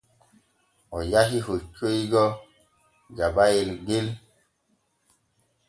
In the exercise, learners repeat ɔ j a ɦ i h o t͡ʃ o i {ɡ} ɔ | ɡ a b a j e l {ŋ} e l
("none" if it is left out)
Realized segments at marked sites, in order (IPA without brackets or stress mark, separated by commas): ɡ, ɡ